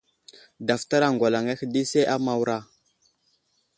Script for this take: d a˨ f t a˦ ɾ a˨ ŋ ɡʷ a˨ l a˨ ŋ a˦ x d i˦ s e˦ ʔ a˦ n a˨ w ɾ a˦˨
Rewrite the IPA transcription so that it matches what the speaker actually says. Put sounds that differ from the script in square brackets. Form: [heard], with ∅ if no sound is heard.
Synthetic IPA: d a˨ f t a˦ ɾ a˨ ŋ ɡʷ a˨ l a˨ ŋ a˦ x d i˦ s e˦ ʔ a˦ [m] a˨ w ɾ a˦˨

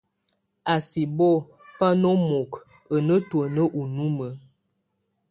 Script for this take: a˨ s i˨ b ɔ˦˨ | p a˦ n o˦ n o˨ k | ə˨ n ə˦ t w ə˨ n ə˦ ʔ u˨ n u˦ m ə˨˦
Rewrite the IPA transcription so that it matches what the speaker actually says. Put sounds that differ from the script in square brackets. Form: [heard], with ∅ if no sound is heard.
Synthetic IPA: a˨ s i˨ b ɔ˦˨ | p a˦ n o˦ [m] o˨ k | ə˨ n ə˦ t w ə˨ n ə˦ ʔ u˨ n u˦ m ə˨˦

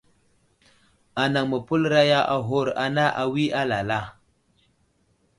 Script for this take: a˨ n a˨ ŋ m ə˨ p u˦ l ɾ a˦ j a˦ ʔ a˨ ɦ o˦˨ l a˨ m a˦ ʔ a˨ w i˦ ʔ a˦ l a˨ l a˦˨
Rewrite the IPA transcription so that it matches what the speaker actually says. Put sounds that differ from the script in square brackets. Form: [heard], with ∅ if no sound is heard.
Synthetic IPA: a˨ n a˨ ŋ m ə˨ p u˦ l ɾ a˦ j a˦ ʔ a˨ ɦ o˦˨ [ɾ] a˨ [n] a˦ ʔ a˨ w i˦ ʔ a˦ l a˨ l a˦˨

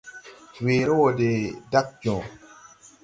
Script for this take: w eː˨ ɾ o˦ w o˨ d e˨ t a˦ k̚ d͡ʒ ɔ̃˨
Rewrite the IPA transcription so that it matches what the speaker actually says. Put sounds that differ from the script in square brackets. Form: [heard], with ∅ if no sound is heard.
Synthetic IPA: w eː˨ ɾ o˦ w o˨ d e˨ [d] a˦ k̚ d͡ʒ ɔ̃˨

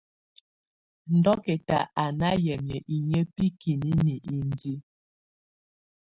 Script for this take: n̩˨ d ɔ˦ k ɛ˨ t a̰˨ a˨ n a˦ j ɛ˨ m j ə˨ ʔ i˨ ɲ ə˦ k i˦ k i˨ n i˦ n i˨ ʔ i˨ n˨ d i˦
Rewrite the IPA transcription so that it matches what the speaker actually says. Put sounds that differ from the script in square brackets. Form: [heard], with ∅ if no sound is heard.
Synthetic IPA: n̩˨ d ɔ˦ k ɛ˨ t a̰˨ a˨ n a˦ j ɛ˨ m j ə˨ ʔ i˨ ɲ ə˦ [p] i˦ k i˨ n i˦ n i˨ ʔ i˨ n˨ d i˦

